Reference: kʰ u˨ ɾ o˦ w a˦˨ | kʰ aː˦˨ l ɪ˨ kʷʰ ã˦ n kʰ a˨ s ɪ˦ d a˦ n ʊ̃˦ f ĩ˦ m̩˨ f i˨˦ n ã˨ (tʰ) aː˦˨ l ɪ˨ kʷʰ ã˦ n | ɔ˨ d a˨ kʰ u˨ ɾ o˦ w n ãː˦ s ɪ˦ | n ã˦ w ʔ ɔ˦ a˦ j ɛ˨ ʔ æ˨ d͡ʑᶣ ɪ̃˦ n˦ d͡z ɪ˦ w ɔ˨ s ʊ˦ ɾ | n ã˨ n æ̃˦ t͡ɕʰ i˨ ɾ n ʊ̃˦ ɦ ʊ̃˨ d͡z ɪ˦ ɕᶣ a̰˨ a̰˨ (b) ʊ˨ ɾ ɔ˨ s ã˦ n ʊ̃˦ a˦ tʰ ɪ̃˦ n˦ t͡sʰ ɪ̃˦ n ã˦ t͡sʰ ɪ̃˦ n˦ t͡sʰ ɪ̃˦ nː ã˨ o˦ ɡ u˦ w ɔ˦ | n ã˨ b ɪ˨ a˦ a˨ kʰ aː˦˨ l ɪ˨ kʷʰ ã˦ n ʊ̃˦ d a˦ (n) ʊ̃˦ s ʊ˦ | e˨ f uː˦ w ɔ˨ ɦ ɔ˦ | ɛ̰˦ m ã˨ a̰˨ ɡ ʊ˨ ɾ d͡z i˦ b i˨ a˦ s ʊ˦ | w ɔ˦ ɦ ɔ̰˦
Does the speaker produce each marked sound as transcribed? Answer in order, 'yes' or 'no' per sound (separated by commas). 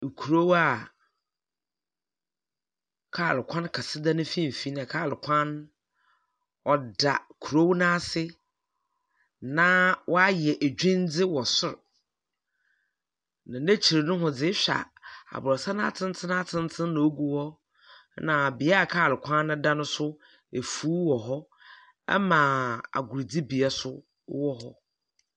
no, yes, yes